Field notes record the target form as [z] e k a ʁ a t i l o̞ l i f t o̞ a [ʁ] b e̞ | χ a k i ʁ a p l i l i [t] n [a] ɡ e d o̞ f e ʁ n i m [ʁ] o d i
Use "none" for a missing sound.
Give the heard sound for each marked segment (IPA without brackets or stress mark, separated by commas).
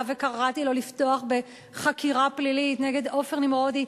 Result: v, χ, t, e, ʁ